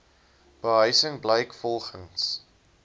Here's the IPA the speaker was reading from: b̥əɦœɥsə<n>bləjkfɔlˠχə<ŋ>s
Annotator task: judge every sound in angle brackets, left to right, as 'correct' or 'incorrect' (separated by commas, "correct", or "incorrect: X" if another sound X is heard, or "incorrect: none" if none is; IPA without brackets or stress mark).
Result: incorrect: ŋ, correct